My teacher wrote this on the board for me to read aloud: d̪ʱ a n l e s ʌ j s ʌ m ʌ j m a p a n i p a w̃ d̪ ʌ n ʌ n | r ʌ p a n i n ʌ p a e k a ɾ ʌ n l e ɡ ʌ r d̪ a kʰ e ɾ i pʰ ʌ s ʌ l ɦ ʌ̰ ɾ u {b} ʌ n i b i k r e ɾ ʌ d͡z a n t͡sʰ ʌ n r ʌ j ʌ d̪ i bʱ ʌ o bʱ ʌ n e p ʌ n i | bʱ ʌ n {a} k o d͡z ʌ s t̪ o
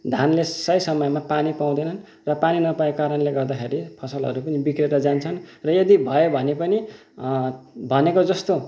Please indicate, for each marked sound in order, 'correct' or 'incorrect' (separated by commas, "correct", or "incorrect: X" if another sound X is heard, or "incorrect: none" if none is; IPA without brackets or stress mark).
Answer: incorrect: p, incorrect: e